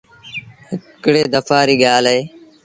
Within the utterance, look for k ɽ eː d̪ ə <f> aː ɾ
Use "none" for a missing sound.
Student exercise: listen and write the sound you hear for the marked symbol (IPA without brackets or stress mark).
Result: f